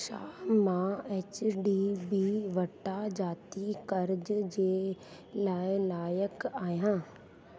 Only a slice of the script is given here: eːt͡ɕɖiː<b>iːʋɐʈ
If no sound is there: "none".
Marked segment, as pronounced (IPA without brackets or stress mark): b